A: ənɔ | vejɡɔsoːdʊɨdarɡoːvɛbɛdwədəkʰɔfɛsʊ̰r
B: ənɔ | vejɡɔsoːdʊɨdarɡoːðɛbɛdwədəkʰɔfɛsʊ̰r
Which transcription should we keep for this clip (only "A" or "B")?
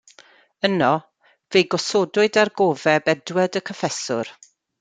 A